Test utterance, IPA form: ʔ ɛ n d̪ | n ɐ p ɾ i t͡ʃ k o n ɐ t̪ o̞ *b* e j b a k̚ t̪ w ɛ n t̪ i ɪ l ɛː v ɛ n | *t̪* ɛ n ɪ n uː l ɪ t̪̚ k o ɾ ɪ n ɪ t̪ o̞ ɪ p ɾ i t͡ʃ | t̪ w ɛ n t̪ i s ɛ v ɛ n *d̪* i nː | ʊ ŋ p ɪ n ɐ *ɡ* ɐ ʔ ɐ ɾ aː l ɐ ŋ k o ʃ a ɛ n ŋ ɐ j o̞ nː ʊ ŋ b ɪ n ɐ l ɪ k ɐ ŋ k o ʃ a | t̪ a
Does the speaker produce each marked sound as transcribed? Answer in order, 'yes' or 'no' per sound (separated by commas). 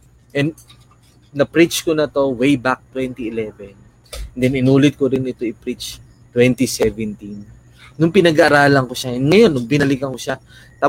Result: no, no, no, yes